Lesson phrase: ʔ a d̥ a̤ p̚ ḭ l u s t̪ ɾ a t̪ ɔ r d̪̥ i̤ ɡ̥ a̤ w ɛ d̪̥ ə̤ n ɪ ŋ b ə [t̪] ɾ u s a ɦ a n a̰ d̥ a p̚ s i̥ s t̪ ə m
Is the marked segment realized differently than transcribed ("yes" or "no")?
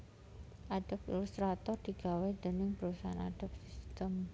yes